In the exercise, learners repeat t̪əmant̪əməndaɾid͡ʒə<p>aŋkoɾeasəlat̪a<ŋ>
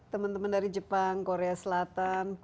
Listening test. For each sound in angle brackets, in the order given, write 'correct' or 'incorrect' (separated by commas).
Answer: correct, incorrect